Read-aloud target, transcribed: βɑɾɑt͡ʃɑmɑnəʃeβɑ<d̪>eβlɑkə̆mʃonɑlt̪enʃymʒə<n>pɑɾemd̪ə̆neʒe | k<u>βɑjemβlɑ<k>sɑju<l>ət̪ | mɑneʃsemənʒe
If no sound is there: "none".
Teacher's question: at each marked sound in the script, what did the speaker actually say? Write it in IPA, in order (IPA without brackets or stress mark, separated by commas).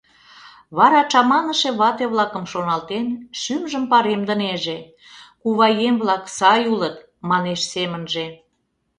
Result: t̪, m, u, k, l